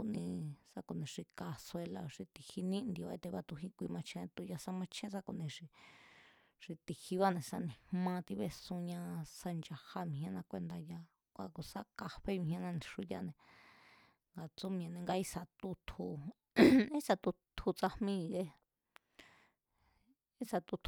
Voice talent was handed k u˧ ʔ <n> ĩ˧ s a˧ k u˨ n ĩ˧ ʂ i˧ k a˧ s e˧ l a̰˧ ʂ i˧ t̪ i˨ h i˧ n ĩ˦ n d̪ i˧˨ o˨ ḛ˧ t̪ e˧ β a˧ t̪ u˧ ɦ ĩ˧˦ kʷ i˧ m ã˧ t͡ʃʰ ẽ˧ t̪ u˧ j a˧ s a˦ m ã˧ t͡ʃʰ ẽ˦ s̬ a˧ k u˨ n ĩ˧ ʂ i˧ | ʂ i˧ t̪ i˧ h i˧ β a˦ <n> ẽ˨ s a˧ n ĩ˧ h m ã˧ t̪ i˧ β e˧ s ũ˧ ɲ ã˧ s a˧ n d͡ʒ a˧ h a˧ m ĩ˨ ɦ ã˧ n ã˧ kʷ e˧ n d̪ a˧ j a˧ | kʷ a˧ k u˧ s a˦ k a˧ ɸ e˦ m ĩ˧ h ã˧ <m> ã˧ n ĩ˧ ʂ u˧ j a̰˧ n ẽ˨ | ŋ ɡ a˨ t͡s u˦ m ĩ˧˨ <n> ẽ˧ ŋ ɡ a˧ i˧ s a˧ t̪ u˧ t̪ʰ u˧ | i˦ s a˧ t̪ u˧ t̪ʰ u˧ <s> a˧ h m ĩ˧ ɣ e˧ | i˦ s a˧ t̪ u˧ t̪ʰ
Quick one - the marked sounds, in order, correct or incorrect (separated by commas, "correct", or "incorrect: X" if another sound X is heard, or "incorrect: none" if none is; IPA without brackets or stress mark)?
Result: correct, correct, incorrect: n, correct, incorrect: t͡s